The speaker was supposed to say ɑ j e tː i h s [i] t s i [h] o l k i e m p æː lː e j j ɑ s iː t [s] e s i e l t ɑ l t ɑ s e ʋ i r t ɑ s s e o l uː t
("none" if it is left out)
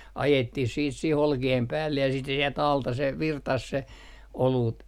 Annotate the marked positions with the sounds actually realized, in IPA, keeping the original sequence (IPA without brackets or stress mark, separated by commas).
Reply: iː, h, s